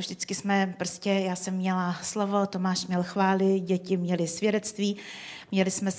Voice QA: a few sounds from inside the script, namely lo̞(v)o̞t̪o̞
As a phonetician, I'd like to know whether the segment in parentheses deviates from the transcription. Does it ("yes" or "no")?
no